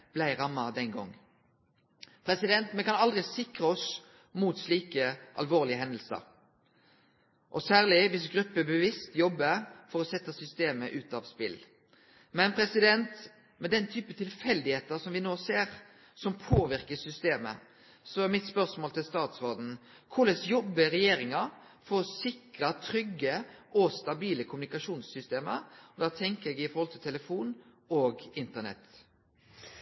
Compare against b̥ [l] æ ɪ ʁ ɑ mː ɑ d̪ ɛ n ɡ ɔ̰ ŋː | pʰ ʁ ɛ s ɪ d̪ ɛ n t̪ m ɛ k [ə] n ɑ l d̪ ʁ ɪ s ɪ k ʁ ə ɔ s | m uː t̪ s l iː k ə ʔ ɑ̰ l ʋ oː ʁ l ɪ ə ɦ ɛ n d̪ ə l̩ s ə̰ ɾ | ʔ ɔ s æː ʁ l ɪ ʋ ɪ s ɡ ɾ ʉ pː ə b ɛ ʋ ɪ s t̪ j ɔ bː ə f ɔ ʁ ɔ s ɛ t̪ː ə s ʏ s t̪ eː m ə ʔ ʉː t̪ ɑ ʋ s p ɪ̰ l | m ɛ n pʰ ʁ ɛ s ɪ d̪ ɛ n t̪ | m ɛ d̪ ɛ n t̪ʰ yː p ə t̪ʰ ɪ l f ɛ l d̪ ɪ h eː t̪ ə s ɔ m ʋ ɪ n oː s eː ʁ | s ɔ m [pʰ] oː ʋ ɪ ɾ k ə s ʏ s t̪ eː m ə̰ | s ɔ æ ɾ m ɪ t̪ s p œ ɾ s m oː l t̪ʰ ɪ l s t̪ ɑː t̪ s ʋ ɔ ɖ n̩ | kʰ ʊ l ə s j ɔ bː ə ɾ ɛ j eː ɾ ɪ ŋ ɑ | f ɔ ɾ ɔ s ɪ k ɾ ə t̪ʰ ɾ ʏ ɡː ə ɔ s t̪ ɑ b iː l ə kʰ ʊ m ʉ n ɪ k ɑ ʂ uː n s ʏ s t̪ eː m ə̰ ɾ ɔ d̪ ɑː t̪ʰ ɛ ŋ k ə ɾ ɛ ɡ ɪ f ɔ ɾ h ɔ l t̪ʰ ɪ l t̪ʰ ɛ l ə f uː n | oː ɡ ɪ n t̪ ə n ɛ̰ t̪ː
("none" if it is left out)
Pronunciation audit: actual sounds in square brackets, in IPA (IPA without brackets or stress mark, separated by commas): l, ɑ, pʰ